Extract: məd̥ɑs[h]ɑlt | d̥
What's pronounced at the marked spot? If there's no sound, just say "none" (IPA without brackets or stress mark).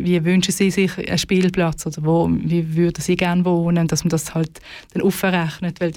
h